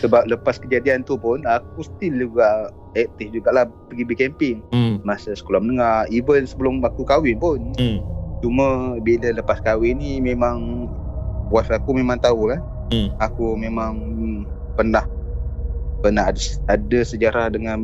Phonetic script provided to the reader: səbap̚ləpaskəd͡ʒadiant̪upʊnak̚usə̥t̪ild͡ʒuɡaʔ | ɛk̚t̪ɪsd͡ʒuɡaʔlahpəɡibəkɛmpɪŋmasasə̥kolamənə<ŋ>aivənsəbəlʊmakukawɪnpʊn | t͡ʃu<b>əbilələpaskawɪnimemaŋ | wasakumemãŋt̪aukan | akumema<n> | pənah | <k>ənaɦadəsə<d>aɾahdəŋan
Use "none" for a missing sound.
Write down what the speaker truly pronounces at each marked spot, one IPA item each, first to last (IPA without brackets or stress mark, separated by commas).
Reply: ŋ, m, ŋ, p, d͡ʒ